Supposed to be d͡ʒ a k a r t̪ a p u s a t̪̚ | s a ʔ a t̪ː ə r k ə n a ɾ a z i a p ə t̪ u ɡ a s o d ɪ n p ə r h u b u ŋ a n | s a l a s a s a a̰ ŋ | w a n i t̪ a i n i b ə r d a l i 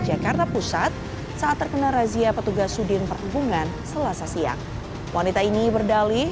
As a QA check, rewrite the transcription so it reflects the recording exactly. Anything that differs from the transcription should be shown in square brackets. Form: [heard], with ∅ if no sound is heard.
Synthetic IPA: d͡ʒ a k a r t̪ a p u s a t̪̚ | s a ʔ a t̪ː ə r k ə n a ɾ a z i a p ə t̪ u ɡ a s [u] d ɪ n p ə r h u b u ŋ a n | s [ə] l a s a s [i] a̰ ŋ | w a n i t̪ a i n i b ə r d a l i